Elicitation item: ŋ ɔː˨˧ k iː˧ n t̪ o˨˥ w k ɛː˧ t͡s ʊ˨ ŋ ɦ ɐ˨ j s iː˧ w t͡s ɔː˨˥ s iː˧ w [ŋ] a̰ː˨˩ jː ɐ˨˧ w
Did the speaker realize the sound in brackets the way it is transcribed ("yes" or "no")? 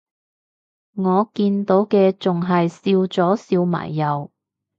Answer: no